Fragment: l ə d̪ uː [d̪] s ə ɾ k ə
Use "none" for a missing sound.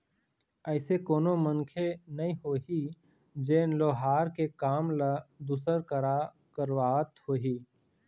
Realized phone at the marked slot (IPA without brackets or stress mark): none